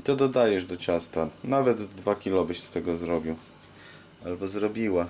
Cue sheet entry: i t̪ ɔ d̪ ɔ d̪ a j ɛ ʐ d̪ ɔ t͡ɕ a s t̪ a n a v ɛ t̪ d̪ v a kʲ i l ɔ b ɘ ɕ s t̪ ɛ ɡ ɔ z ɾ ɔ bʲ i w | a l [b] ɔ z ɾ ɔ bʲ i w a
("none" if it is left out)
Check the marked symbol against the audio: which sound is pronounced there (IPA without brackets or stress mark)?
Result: b